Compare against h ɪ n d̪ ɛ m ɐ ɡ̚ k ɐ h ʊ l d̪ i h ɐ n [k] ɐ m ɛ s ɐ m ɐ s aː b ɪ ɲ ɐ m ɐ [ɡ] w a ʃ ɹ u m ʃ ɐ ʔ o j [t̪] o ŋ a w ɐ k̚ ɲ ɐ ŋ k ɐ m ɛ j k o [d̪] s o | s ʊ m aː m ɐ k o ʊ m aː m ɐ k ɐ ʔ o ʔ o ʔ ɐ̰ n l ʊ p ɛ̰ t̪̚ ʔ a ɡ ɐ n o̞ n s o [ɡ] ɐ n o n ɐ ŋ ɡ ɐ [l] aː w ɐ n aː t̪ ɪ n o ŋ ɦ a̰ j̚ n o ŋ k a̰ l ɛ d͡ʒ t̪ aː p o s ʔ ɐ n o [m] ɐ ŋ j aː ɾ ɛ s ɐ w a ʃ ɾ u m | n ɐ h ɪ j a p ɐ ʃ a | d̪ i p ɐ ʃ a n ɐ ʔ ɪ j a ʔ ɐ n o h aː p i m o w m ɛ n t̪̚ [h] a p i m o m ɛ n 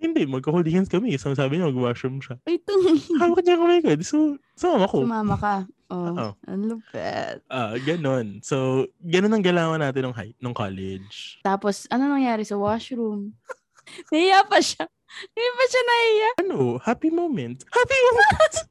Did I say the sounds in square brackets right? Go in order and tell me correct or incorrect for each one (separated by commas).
correct, correct, correct, correct, correct, correct, incorrect, correct